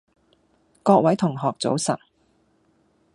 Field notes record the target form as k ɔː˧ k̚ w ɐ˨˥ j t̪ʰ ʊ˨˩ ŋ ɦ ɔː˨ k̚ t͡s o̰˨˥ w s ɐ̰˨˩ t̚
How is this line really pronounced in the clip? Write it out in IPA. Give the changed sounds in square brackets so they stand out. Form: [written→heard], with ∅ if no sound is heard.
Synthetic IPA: k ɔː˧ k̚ w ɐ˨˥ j t̪ʰ ʊ˨˩ ŋ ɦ ɔː˨ k̚ t͡s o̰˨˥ w s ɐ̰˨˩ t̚